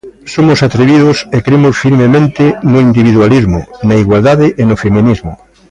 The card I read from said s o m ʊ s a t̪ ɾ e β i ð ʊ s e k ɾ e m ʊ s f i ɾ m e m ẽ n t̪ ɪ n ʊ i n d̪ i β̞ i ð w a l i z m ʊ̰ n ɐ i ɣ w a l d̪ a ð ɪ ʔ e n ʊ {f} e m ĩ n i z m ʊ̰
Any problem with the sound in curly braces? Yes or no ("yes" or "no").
no